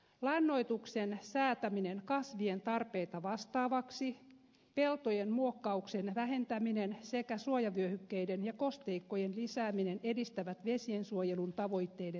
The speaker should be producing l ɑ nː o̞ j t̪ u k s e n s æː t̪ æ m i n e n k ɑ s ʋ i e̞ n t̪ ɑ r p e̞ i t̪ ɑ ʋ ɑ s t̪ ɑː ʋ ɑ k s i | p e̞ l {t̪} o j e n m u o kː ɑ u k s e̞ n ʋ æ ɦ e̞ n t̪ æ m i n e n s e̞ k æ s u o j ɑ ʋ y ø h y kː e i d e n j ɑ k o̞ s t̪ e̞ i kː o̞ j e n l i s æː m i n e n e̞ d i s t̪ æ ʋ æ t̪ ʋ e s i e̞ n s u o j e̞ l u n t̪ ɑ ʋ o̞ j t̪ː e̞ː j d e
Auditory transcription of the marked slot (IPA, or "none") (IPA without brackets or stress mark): t̪